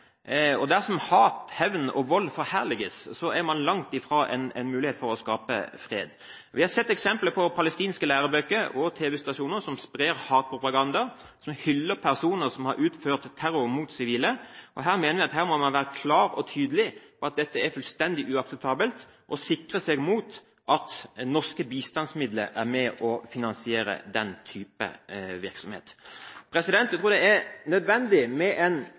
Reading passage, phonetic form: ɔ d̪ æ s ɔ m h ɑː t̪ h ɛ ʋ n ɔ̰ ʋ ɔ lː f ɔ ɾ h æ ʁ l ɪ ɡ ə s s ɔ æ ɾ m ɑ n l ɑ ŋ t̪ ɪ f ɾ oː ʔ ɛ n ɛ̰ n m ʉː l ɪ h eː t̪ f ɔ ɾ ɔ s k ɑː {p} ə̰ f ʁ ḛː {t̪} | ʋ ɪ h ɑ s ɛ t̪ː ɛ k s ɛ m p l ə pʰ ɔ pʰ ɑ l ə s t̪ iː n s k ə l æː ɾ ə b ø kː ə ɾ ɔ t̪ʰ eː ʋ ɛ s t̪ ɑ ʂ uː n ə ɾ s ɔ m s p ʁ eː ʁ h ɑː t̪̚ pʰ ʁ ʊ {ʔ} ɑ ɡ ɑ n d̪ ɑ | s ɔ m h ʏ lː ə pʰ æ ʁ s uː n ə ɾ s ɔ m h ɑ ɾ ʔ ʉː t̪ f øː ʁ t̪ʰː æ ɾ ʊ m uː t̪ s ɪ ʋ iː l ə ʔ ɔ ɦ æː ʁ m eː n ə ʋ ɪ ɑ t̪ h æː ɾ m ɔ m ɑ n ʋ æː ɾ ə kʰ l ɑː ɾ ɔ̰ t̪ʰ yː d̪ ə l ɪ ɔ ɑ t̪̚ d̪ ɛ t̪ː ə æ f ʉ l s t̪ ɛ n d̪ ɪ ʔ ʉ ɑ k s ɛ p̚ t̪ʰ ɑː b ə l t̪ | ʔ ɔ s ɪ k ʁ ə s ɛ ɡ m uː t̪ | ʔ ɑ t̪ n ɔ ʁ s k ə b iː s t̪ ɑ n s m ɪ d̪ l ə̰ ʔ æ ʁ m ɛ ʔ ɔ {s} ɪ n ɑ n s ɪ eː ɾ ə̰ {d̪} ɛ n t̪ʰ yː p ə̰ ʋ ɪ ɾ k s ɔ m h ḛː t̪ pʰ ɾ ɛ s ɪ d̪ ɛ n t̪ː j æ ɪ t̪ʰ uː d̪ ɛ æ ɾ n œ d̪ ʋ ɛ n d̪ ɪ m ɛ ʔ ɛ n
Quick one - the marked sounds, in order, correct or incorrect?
correct, incorrect, incorrect, incorrect, correct

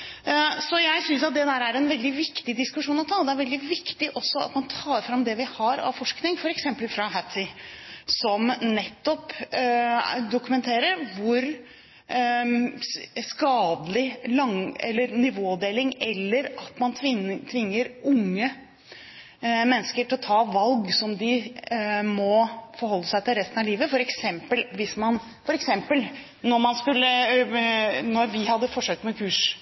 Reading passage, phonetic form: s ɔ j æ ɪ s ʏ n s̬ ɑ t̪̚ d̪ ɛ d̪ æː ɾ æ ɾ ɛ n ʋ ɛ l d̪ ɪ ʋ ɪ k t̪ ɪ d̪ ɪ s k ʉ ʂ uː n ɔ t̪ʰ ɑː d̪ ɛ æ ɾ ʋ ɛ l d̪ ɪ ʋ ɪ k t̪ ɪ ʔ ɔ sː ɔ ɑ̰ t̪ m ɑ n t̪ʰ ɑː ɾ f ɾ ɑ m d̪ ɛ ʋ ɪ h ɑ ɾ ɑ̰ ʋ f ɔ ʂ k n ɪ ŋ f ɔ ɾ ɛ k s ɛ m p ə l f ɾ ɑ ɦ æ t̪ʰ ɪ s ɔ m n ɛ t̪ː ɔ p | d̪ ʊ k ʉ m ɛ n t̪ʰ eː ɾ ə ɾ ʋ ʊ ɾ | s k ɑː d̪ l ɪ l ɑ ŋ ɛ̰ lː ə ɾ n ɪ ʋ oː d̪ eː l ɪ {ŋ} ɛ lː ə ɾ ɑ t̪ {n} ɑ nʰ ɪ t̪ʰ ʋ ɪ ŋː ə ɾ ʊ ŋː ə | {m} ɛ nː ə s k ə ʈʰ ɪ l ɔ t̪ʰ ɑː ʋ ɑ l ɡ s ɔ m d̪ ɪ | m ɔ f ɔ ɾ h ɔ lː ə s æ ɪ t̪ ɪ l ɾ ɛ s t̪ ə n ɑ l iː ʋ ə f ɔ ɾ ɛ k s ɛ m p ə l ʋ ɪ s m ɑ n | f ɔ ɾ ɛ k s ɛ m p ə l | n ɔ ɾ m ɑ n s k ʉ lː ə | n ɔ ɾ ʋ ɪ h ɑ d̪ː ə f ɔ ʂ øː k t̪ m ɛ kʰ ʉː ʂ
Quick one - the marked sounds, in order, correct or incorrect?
correct, incorrect, correct

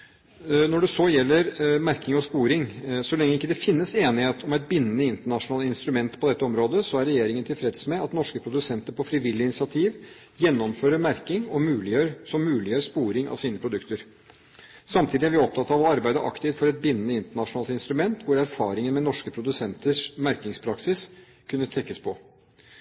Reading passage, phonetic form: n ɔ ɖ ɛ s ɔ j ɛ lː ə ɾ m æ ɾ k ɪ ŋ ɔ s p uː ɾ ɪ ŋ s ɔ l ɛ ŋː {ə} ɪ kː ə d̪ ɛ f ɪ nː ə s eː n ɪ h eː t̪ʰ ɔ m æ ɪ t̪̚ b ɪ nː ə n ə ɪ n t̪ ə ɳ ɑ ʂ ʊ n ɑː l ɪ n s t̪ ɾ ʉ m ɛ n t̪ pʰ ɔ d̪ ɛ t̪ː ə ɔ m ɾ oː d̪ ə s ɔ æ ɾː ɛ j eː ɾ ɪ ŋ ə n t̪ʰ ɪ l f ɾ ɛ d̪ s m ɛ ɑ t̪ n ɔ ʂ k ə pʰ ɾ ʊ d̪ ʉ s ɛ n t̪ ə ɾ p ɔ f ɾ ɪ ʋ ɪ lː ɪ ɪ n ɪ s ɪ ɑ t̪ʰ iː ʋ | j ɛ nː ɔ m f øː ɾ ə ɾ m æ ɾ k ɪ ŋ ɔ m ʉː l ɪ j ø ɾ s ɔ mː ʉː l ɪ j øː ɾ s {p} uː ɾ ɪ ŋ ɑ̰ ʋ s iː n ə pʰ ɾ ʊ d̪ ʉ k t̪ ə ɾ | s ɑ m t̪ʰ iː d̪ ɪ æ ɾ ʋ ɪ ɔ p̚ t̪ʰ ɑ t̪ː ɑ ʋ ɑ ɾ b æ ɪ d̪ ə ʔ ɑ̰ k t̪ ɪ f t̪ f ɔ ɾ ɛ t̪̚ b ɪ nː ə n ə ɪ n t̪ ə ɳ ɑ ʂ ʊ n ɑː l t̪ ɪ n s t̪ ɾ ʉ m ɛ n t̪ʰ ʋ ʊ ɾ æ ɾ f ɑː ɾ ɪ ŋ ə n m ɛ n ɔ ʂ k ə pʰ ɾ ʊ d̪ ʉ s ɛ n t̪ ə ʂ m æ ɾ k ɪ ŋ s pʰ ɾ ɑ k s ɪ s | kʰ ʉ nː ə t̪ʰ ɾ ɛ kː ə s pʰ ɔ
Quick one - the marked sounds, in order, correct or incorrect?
correct, correct

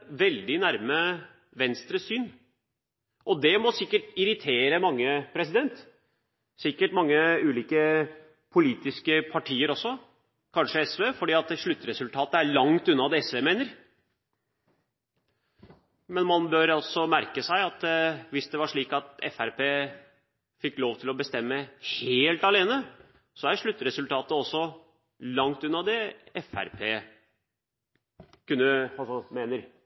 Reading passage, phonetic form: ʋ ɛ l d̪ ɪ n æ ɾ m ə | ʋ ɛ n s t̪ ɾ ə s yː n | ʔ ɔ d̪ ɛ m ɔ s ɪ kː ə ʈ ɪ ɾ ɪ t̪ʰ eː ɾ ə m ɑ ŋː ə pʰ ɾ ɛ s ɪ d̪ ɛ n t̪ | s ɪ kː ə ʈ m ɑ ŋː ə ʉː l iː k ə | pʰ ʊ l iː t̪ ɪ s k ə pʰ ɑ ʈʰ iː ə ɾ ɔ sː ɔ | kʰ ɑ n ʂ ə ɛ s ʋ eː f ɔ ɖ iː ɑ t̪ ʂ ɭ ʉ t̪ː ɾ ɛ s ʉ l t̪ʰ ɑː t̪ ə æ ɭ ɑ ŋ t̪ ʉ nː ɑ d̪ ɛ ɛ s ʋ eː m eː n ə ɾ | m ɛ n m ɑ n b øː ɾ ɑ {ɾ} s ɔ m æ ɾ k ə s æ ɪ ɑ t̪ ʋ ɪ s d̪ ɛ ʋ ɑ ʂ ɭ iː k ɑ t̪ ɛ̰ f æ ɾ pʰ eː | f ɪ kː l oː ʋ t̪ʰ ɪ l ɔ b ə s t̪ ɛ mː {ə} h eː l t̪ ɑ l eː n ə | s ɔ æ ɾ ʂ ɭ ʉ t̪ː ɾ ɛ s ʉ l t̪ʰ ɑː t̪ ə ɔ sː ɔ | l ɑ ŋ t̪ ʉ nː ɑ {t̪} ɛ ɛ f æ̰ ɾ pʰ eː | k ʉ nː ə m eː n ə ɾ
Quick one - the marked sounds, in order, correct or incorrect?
incorrect, correct, incorrect

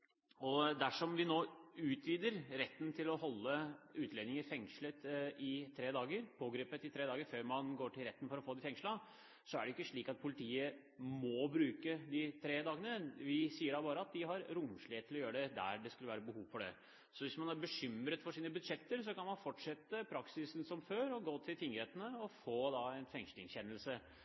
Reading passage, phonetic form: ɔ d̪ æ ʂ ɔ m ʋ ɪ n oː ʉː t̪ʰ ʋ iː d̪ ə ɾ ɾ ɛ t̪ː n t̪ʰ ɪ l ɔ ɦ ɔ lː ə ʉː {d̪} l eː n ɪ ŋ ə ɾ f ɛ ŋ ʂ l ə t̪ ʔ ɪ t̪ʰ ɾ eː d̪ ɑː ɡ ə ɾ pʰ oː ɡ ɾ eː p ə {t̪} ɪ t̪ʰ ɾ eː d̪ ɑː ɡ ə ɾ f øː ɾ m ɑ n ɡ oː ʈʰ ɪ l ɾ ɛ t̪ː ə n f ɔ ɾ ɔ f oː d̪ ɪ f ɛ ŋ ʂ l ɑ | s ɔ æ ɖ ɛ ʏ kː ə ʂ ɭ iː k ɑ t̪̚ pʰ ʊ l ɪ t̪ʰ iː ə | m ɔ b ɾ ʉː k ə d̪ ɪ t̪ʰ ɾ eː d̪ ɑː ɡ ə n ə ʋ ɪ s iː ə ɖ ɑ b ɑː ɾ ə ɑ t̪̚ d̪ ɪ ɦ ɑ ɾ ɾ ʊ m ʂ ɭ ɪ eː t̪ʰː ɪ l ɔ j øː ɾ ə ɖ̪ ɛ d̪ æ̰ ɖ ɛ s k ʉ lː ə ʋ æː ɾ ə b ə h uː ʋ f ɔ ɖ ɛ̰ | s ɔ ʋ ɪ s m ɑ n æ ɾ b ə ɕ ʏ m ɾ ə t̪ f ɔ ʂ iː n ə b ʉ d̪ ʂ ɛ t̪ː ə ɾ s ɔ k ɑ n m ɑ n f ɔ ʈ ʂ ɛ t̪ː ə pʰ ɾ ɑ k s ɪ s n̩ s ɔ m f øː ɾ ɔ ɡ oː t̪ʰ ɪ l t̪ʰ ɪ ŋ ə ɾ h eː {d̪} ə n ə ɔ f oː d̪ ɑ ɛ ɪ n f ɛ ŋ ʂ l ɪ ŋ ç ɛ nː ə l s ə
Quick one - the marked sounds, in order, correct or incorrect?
incorrect, correct, incorrect

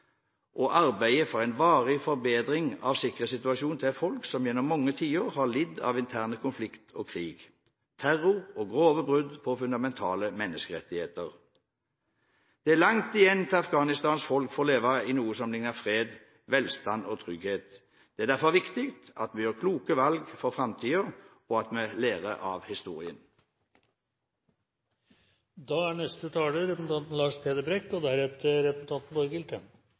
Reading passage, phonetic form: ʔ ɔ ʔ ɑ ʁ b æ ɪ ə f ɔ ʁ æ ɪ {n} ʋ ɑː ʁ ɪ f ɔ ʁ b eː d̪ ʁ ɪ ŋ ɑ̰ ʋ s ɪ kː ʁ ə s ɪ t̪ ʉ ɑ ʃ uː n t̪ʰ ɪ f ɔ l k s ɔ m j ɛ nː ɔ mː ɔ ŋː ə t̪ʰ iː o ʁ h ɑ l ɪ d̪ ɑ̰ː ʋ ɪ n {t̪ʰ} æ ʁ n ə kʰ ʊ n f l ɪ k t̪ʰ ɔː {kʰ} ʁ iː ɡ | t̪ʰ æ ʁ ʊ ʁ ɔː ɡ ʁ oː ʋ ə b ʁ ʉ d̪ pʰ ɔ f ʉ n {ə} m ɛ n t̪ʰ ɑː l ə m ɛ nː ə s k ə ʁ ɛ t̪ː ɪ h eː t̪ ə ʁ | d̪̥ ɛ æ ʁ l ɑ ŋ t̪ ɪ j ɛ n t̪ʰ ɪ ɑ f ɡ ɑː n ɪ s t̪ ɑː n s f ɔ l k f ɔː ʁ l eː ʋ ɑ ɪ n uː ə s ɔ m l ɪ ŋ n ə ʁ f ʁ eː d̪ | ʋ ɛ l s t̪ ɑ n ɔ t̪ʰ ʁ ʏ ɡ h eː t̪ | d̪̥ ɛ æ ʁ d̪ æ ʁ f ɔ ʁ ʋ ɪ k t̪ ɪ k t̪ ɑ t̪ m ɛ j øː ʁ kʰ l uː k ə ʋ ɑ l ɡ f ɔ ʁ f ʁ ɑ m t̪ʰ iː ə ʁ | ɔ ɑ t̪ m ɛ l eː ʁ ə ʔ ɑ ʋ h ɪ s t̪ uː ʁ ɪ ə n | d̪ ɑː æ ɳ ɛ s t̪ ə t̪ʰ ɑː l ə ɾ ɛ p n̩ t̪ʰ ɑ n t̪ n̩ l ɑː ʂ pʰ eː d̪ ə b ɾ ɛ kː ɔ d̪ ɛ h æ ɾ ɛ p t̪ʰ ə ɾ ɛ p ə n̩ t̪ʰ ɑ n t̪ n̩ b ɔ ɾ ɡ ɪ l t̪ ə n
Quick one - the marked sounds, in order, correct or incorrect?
correct, correct, correct, incorrect

